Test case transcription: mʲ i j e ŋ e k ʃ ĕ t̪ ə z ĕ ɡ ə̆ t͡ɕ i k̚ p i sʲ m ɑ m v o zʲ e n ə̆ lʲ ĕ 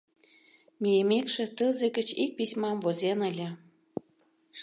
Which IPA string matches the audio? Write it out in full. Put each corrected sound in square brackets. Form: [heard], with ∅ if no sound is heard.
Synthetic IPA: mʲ i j e [m] e k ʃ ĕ t̪ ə z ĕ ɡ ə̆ t͡ɕ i k̚ p i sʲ m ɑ m v o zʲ e n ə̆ lʲ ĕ